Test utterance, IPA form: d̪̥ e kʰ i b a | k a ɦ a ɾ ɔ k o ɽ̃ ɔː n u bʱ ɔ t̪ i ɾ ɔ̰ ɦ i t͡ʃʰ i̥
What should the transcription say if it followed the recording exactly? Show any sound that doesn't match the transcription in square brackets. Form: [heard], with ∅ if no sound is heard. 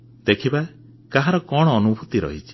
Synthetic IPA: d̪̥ e kʰ i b a | k a ɦ a ɾ ɔ k [ɔ] ɽ̃ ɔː n u bʱ [u] t̪ i ɾ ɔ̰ ɦ i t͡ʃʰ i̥